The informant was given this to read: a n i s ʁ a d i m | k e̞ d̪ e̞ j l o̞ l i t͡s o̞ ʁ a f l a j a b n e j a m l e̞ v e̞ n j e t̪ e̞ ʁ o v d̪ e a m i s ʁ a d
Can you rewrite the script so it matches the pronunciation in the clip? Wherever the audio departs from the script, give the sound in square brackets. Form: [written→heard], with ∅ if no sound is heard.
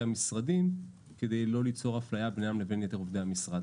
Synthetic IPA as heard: a [n→m] i s ʁ a d i m | k e̞ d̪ e̞ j l o̞ l i t͡s o̞ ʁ a f l a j a b n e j a m l e̞ v e̞ n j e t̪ e̞ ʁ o v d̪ e a m i s ʁ a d